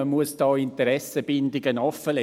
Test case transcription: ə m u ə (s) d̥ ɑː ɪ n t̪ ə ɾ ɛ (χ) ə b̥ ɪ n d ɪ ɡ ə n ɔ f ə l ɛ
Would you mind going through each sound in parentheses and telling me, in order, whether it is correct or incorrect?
correct, incorrect: s

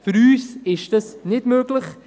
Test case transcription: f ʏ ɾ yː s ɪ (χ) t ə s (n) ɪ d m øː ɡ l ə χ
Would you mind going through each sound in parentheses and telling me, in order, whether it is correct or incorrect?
incorrect: ʃ, correct

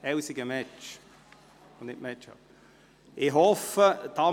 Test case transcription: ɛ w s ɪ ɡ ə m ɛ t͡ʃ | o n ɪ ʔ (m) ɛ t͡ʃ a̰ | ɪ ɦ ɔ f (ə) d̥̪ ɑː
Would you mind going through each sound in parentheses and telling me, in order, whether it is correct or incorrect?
correct, correct

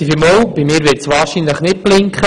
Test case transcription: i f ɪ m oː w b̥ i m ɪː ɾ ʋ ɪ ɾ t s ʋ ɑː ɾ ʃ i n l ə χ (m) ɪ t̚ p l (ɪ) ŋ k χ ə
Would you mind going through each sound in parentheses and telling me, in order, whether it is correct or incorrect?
incorrect: n, correct

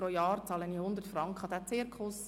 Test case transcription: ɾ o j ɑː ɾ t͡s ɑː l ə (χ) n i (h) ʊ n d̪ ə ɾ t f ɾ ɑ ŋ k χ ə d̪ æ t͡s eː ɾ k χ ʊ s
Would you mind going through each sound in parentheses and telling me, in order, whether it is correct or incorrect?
incorrect: none, correct

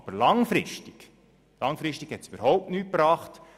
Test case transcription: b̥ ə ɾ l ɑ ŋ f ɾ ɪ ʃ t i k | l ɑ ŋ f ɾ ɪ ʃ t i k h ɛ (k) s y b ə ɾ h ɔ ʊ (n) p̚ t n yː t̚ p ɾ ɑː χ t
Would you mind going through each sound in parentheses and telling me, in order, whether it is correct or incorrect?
incorrect: t, incorrect: none

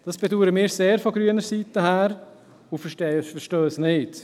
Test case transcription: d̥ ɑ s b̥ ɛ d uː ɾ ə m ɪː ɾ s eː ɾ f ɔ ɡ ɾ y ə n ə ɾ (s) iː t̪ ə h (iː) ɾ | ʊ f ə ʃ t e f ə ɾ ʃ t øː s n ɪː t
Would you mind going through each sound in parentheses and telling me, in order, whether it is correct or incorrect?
correct, incorrect: æː

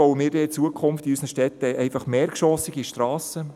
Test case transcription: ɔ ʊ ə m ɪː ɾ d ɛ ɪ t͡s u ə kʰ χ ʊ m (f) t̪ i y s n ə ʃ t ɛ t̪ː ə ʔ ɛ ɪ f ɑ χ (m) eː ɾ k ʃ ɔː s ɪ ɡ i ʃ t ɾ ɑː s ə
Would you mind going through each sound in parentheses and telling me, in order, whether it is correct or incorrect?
correct, correct

